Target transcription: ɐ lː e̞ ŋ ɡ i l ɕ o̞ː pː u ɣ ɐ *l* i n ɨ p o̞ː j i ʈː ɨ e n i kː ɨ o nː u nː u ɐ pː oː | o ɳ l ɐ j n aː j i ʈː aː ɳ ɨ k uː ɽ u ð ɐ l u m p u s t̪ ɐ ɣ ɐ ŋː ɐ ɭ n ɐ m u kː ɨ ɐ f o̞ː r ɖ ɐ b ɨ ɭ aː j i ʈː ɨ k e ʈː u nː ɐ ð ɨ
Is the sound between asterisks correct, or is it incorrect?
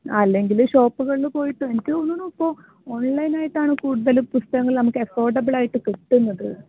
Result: incorrect: ɭ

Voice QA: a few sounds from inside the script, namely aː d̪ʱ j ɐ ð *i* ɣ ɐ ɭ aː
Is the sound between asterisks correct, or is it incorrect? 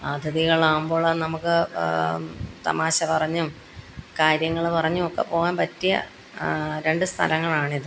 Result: correct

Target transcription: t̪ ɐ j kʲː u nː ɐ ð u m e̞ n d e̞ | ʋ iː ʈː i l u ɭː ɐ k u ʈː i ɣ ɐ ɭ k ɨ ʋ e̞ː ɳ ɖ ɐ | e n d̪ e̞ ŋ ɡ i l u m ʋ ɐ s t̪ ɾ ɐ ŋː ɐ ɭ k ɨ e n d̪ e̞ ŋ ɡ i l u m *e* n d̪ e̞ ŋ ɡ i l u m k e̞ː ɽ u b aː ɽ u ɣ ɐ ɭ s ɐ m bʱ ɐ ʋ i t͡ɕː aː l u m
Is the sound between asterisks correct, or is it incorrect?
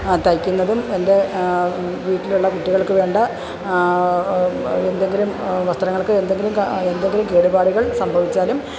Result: correct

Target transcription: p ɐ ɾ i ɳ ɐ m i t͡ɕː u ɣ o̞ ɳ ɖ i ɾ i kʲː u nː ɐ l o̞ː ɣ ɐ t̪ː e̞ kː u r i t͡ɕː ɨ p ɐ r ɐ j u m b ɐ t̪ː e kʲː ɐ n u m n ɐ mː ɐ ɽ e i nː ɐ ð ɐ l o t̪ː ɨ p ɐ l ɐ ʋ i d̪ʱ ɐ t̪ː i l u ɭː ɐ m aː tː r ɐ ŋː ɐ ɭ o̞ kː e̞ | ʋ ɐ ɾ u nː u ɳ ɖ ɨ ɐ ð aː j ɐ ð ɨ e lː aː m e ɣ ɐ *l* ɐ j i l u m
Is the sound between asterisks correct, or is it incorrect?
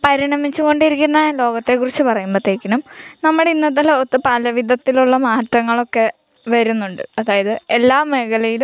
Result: correct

